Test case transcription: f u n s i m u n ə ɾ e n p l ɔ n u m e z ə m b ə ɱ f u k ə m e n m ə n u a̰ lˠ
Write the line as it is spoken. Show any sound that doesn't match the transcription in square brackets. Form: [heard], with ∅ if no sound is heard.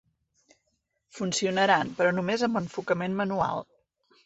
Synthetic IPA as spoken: f u n s i [∅] u n ə ɾ [a] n p [ɾ] ɔ n u m e z ə m b ə ɱ f u k ə m e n m ə n u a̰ lˠ